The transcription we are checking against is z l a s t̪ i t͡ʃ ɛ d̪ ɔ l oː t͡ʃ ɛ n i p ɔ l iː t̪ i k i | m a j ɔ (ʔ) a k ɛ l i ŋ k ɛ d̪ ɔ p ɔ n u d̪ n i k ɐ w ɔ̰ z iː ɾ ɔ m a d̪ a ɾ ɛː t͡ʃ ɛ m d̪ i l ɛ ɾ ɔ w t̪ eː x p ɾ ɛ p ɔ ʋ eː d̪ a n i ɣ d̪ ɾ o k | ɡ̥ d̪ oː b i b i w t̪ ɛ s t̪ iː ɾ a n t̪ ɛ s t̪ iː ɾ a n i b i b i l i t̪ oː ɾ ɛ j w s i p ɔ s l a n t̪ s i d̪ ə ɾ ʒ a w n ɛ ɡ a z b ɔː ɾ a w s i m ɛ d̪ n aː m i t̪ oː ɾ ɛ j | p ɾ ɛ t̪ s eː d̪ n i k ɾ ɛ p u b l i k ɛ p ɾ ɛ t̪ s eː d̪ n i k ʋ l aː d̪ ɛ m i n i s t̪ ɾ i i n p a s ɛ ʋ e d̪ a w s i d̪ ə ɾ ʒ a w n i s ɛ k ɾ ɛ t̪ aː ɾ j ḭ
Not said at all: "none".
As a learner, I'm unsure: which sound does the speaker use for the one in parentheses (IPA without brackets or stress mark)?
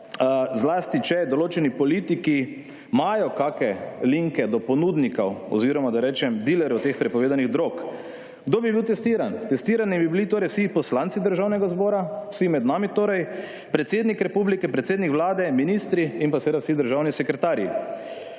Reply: k